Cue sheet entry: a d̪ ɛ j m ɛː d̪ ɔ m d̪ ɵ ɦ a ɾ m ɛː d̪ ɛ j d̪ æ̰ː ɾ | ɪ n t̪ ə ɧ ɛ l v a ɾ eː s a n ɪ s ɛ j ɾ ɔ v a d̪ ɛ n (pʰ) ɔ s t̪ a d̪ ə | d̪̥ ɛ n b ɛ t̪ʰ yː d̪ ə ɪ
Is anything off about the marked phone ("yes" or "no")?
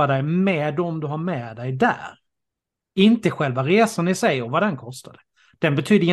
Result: yes